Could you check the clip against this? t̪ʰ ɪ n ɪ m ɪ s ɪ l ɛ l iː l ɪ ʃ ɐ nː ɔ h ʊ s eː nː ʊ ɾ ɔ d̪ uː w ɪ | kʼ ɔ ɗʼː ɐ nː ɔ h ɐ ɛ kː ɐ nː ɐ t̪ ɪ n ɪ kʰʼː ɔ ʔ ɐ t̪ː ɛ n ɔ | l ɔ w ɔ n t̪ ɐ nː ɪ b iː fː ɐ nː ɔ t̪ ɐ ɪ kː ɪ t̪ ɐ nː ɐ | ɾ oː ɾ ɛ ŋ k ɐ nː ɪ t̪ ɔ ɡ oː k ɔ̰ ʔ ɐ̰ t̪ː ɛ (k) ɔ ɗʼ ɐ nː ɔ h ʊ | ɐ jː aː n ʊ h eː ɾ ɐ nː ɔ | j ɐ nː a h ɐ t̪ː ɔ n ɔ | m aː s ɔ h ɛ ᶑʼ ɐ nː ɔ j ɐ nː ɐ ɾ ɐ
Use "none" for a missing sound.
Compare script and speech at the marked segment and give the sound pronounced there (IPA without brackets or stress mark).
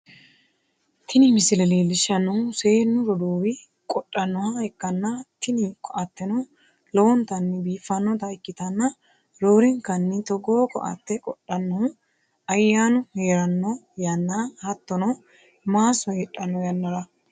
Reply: kʼ